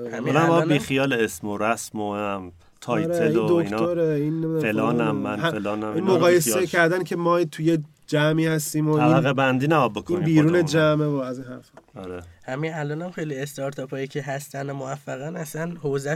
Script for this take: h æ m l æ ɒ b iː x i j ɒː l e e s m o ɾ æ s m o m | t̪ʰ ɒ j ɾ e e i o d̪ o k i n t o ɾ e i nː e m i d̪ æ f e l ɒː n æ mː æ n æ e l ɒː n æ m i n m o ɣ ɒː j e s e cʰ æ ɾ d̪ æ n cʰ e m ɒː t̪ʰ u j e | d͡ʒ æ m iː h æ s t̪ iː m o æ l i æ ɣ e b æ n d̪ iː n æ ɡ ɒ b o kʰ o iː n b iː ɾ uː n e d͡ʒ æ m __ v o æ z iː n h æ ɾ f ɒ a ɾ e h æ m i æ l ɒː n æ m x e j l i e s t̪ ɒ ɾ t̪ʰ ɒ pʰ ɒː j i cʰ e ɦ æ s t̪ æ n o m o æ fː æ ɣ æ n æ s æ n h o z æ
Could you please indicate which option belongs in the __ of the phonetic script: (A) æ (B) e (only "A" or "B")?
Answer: B